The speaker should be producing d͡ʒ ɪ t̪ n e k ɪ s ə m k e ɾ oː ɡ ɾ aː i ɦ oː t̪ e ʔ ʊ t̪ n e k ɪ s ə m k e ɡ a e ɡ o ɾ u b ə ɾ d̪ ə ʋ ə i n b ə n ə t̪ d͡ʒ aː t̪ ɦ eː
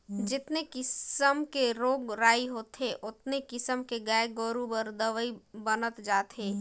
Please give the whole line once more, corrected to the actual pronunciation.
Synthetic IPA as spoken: d͡ʒ ɪ t̪ n e k ɪ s ə m k e ɾ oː ɡ ɾ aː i ɦ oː t̪ e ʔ ʊ t̪ n e k ɪ s ə m k e ɡ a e ɡ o ɾ u b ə ɾ d̪ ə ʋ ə i b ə n ə t̪ d͡ʒ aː t̪ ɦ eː